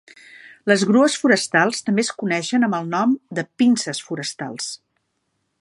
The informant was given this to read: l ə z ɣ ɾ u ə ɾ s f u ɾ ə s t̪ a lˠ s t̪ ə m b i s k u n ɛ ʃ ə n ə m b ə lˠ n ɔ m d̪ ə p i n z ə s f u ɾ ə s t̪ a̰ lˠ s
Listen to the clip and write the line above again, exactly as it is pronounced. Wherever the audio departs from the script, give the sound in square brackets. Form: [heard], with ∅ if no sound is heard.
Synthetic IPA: l ə z ɣ ɾ u ə [∅] s f u ɾ ə s t̪ a lˠ s t̪ ə m b [e] s k u n ɛ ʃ ə n ə m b ə lˠ n ɔ m d̪ ə p i n [s] ə s f u ɾ ə s t̪ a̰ lˠ s